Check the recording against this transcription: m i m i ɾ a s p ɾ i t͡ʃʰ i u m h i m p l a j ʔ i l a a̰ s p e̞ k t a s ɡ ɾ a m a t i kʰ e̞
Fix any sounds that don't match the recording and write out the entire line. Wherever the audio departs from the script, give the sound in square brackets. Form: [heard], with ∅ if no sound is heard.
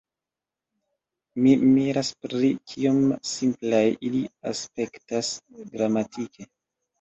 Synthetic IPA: m i m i ɾ a s p ɾ i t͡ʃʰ i [o] m [s] i m p l a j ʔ i l [i] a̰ s p e̞ k t a s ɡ ɾ a m a t i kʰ e̞